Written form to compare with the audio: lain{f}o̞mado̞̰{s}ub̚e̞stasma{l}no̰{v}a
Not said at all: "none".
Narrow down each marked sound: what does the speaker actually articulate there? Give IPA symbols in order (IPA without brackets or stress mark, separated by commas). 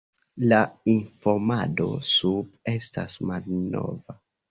f, s, l, v